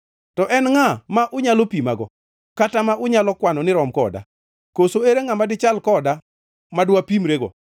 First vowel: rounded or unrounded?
rounded